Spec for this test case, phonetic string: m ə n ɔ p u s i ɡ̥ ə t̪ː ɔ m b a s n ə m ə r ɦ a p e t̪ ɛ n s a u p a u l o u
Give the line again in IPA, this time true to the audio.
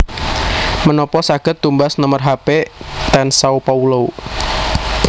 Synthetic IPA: m ə n ɔ p ɔ s a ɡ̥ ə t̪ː u m b a s n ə m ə r ɦ a p e t̪ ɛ n s a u p a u l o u

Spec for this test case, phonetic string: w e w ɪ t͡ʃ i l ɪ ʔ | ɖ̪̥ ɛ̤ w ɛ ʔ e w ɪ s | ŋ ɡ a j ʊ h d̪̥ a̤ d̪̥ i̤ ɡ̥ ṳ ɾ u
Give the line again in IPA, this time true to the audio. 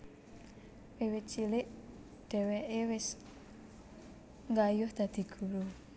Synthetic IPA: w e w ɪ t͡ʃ i l ɪ ʔ | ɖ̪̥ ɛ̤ w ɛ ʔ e w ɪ s | ŋ ɡ a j ʊ h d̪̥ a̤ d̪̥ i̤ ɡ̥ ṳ ɾ u

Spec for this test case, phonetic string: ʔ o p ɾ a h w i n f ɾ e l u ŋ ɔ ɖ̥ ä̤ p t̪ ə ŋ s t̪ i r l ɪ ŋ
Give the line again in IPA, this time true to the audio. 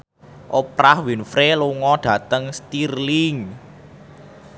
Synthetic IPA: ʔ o p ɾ a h w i n f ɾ e l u ŋ ɔ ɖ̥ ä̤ t̪ ə ŋ s t̪ i r l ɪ ŋ

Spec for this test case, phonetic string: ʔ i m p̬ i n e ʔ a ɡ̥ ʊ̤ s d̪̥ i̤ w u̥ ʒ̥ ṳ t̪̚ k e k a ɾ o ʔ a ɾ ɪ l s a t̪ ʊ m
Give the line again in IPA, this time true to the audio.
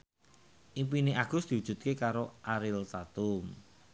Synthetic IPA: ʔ i m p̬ i n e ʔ a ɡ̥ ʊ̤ s d̪̥ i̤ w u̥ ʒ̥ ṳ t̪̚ k e k a ɾ o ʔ a ɾ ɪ l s a t̪ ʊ m

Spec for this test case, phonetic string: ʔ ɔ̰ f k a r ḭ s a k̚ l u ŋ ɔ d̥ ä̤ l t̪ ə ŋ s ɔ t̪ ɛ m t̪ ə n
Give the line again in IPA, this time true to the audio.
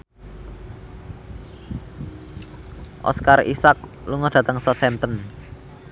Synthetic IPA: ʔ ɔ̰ s k a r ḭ s a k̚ l u ŋ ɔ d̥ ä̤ t̪ ə ŋ s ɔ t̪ ɛ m t̪ ə n

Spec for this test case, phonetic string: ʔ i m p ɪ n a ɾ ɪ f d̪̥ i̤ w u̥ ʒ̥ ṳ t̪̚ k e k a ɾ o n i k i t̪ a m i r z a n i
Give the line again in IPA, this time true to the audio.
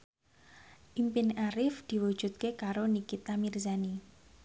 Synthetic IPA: ʔ i m p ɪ n a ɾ ɪ f d̪̥ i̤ w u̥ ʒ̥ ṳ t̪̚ k e k a ɾ o n i k i t̪ a m i r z a n i

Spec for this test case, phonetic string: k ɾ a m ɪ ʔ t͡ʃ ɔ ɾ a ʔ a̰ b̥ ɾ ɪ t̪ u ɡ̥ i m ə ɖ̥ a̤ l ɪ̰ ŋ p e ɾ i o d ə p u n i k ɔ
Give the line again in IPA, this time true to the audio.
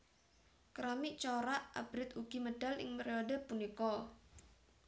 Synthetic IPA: k ɾ a m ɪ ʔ t͡ʃ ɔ ɾ a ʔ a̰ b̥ ɾ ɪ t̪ u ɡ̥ i m ə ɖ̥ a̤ l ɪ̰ ŋ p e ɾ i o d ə p u n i k ɔ

